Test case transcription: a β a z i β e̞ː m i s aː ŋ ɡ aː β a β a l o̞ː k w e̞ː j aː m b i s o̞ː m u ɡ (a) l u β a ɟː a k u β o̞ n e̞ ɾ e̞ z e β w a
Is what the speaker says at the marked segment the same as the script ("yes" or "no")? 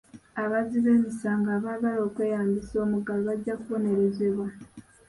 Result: yes